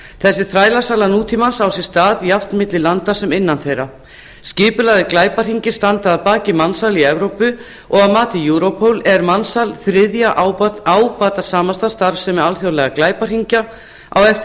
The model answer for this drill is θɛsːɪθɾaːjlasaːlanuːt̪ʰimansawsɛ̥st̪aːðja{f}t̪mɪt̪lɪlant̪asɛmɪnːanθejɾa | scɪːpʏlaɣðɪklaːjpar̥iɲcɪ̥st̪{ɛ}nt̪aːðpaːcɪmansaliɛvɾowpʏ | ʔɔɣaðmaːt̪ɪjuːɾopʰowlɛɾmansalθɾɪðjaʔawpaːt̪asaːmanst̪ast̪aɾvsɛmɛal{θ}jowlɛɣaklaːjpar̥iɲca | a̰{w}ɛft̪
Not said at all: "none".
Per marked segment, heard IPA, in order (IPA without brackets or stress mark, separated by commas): f, a, θ, w